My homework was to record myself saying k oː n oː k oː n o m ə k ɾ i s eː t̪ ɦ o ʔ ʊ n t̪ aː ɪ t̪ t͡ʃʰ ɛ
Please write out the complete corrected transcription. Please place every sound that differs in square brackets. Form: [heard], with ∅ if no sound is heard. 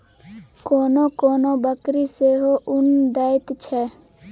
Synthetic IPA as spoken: k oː n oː k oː n o [b] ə k ɾ i s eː [∅] ɦ o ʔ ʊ n [d̪] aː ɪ t̪ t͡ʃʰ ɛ